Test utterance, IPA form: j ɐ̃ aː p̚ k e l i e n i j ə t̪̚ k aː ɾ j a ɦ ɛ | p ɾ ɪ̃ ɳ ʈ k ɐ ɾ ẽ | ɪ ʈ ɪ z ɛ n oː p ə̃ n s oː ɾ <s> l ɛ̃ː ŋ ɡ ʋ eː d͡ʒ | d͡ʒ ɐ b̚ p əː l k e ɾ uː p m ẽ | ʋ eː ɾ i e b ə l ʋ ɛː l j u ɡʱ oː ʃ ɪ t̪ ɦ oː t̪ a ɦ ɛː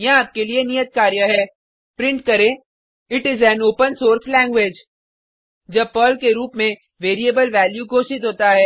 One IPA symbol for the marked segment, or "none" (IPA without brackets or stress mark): s